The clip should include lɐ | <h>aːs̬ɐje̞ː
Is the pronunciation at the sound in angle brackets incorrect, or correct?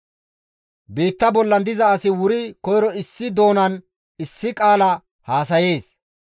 correct